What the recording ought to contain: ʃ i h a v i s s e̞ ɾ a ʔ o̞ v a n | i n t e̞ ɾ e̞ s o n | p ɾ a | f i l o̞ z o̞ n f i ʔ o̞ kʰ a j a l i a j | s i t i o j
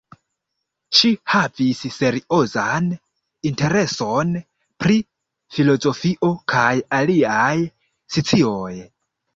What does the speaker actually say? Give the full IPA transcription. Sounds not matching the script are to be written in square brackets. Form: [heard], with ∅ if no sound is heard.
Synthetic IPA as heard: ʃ i h a v i s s e̞ ɾ [i] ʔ o̞ [z] a n | i n t e̞ ɾ e̞ s o n | p ɾ [i] | f i l o̞ z o̞ [∅] f i ʔ o̞ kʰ a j a l i a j | s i [t͡s] i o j